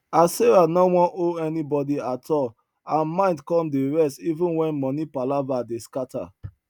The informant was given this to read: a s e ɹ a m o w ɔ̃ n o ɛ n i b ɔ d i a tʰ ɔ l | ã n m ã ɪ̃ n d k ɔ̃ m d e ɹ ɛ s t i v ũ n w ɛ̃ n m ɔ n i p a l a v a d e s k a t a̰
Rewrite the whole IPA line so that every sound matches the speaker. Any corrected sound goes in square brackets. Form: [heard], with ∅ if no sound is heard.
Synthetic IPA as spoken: a s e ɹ a [n] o w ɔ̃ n o ɛ n i b ɔ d i a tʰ ɔ l | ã n m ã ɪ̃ n d k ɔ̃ m d e ɹ ɛ s t i v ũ n w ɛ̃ n m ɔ n i p a l a v a d e s k a t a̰